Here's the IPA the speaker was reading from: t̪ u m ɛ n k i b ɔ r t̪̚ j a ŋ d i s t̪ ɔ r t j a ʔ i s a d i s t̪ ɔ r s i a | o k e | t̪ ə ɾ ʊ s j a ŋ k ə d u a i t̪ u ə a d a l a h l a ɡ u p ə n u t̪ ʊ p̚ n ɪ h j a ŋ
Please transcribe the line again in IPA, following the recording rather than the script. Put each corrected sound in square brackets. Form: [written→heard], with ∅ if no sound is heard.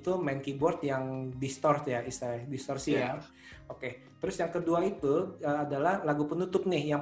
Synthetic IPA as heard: t̪ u m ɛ n k i b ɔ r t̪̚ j a ŋ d i s t̪ ɔ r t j a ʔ i s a d i s t̪ ɔ r s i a | o k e | t̪ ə ɾ ʊ s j a ŋ k ə d u a i t̪ u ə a d a l a h l a ɡ u p ə n u t̪ ʊ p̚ n ɪ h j a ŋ